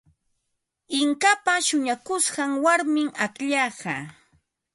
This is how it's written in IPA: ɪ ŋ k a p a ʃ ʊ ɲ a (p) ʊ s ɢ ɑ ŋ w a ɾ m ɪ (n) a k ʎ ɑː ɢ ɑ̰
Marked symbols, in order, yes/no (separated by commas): no, no